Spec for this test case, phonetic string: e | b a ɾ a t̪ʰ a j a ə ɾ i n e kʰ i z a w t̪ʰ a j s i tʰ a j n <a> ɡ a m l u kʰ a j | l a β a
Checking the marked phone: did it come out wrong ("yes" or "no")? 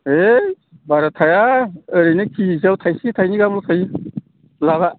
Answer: yes